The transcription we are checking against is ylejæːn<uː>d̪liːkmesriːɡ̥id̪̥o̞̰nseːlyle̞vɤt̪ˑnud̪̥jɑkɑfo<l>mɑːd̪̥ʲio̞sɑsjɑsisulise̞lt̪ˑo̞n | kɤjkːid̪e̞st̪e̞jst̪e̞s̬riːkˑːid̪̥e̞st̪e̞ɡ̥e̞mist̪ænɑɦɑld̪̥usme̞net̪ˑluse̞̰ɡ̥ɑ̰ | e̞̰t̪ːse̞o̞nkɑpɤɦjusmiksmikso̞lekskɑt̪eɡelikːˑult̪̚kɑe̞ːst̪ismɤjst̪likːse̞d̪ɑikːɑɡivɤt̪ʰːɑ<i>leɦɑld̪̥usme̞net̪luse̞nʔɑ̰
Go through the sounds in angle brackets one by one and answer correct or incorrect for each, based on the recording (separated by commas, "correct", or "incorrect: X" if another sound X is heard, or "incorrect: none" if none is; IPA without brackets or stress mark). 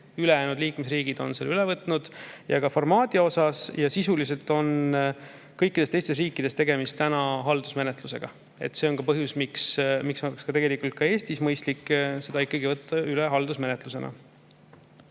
incorrect: u, incorrect: r, incorrect: y